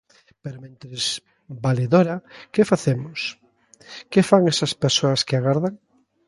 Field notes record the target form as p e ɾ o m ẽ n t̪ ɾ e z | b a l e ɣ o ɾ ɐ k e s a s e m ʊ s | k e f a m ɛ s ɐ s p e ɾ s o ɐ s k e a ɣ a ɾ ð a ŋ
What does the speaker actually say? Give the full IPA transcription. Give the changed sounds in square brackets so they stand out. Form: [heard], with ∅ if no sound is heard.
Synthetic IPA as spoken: p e ɾ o m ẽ n t̪ ɾ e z | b a l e [ð] o ɾ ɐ k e [f] a [θ] e m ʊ s | k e f a [ŋ] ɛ s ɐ s p e ɾ s o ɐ s k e a ɣ a ɾ ð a ŋ